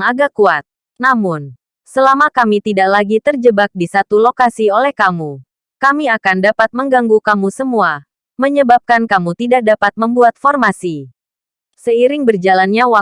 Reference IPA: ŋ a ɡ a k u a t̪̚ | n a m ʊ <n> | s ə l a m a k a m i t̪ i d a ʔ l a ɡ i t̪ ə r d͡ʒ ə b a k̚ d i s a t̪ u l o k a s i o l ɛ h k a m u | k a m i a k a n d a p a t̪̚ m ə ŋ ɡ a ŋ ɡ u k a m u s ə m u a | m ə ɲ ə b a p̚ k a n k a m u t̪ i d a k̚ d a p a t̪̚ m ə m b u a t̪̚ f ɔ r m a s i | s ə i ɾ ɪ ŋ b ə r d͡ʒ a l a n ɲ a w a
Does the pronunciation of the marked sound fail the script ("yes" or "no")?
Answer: no